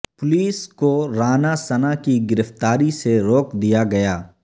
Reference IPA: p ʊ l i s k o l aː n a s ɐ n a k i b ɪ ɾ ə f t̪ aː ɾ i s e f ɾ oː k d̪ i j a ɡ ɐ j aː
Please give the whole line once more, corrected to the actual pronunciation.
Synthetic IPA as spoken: p ʊ l iː s k o ɾ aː n a s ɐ n a k i ɡ ɪ ɾ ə f t̪ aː ɾ i s e ɾ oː k d̪ i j a ɡ ɐ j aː